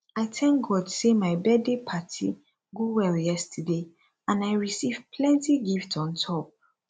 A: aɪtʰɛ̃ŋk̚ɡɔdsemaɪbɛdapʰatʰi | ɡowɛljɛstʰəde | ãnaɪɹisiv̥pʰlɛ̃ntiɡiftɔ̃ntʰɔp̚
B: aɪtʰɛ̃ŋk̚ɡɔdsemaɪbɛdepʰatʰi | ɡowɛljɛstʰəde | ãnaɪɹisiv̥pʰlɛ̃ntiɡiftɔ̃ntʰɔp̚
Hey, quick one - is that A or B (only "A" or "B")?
B